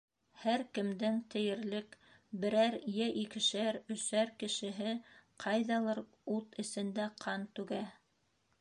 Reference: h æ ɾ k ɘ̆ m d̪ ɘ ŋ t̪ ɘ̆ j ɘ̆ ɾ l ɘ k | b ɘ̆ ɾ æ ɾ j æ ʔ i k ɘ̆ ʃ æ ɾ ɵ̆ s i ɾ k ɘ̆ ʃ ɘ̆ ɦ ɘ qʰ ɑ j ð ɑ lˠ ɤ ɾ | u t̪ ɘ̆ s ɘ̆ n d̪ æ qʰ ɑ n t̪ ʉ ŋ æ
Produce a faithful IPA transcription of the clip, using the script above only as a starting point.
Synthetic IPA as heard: h æ ɾ k ɘ̆ m d̪ ɘ ŋ t̪ ɘ̆ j ɘ̆ ɾ l ɘ k | b ɘ̆ ɾ æ ɾ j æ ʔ i k ɘ̆ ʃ æ ɾ ɵ̆ s æ ɾ k ɘ̆ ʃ ɘ̆ ɦ ɘ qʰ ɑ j ð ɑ lˠ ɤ ɾ | u t̪ ɘ̆ s ɘ̆ n d̪ æ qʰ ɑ n t̪ ʉ ɡ æ